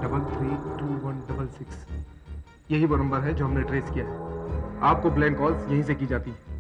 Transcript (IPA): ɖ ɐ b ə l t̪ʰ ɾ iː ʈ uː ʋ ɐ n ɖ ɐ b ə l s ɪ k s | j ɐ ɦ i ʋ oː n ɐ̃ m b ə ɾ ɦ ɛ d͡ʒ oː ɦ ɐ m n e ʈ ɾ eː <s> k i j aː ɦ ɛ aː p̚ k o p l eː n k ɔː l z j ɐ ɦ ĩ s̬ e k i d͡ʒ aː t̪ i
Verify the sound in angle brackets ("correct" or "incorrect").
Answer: correct